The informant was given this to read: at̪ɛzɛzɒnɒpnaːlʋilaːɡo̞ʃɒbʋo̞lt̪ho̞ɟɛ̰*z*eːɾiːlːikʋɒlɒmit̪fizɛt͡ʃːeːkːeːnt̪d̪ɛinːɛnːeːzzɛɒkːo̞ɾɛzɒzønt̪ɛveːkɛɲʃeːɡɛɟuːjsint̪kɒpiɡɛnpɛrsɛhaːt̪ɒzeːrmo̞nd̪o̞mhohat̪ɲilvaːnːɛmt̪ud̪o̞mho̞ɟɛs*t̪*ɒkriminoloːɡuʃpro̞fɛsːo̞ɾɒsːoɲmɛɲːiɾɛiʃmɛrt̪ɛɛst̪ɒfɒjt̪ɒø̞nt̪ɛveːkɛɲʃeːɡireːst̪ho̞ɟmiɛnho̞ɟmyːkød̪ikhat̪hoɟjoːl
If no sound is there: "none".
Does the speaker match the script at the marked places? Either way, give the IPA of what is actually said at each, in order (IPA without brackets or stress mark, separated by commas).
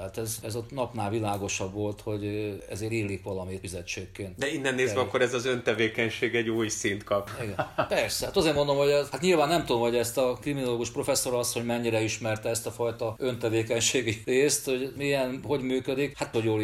z, t̪